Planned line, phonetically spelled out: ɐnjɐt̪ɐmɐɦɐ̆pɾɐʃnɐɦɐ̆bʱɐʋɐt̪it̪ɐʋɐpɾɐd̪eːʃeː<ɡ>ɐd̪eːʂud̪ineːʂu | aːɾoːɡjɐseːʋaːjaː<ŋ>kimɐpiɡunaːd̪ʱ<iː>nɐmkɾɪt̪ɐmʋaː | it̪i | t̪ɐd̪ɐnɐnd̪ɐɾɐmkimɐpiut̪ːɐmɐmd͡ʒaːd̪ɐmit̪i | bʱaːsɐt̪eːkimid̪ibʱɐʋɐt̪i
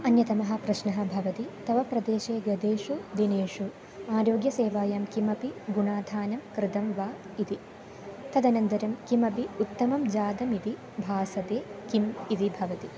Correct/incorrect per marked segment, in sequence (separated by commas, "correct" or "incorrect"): correct, incorrect, incorrect